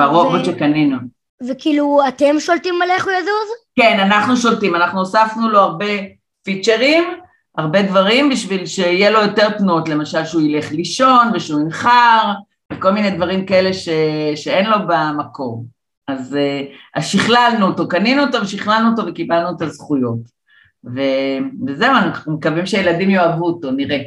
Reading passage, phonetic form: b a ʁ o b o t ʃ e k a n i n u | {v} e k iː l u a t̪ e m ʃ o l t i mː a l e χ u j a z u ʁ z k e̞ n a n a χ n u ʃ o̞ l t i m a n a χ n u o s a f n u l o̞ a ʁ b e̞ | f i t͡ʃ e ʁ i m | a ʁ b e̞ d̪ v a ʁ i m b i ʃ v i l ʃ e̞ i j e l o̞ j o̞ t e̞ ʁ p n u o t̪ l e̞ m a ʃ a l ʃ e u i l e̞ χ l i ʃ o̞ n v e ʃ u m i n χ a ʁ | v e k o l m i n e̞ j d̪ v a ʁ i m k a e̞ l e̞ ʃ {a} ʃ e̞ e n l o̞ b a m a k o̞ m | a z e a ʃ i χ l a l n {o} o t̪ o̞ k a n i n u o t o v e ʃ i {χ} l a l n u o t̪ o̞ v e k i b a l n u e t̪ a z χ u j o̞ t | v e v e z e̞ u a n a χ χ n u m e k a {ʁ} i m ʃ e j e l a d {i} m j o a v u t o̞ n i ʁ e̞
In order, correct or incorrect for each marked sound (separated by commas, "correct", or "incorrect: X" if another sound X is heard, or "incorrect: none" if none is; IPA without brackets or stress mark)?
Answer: correct, incorrect: e, incorrect: u, correct, incorrect: v, correct